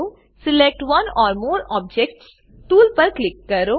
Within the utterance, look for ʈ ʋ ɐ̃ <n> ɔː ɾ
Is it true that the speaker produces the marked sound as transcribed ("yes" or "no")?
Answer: yes